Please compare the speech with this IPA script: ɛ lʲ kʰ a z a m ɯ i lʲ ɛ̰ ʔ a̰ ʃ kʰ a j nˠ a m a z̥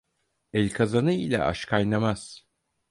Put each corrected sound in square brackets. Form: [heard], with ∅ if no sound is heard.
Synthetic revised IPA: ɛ lʲ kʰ a z a [n] ɯ i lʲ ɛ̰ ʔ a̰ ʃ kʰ a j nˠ a m a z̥